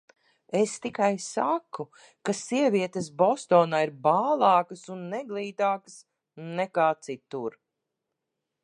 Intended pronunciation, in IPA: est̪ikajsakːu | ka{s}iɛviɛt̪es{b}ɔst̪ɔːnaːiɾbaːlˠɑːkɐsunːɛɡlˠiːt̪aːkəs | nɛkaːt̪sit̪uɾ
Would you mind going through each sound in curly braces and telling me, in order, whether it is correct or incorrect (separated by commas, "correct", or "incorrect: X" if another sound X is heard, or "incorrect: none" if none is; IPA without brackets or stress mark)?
correct, correct